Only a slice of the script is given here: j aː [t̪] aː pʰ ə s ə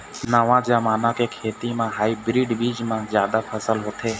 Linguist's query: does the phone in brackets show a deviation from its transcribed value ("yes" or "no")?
yes